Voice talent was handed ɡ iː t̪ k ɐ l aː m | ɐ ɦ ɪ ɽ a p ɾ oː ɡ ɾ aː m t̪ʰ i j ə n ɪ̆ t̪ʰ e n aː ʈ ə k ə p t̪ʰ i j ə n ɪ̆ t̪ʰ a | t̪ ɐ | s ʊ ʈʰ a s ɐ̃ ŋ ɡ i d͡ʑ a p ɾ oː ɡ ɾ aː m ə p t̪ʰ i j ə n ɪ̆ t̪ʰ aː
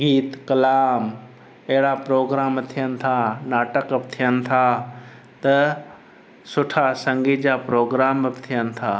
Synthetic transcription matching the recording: ɡ iː t̪ k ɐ l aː m | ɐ ɦ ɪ ɽ a p ɾ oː ɡ ɾ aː m t̪ʰ i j ə n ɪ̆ t̪ʰ a n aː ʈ ə k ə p t̪ʰ i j ə n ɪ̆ t̪ʰ a | t̪ ɐ | s ʊ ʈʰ a s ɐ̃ ŋ ɡ i d͡ʑ a p ɾ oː ɡ ɾ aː m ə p t̪ʰ i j ə n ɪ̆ t̪ʰ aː